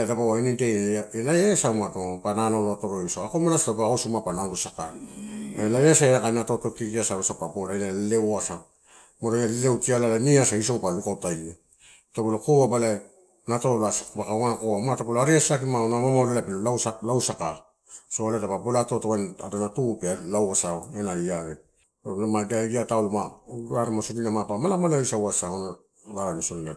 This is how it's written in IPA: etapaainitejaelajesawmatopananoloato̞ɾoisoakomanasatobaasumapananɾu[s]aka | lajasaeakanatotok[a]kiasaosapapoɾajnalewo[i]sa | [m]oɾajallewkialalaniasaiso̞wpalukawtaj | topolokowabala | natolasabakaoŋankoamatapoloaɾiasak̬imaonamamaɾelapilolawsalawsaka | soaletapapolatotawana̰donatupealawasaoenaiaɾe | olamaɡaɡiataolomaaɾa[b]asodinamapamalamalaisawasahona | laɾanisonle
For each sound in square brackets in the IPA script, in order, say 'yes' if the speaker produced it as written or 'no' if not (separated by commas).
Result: yes, no, no, yes, no